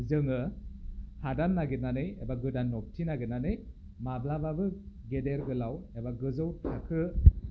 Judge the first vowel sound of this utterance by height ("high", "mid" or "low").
high